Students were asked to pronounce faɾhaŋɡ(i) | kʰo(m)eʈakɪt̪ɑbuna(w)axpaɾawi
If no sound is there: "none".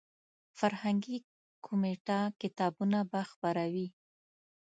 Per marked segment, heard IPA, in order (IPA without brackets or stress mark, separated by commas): i, m, b